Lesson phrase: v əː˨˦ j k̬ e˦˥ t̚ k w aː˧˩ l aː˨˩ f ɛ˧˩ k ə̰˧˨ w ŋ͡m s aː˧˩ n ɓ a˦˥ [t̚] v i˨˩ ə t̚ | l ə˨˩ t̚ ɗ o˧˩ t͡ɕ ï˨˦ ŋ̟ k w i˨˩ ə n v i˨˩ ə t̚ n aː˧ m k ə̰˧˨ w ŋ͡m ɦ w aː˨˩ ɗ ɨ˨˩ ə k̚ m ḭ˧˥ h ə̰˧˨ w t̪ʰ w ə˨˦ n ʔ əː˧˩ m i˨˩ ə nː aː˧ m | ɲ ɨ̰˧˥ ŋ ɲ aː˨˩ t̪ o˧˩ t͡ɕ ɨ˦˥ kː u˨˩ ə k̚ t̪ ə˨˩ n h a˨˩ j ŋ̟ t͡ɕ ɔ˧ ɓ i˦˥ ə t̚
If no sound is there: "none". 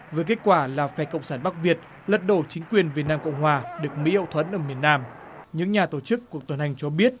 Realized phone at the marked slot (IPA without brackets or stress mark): k̚